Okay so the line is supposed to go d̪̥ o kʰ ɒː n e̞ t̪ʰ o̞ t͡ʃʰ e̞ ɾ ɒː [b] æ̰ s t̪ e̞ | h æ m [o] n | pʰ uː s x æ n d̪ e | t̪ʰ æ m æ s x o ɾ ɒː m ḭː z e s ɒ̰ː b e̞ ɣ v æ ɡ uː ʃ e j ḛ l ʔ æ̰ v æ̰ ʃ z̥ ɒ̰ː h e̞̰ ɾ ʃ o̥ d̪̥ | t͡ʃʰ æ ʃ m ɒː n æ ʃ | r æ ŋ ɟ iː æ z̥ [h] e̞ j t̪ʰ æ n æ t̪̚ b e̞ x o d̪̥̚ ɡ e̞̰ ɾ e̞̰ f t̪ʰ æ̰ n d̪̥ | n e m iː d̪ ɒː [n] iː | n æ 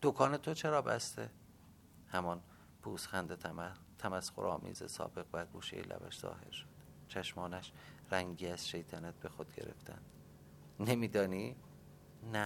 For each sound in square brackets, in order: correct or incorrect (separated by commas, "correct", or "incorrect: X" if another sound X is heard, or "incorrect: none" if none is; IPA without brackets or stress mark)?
correct, incorrect: ɒ, incorrect: ʃ, correct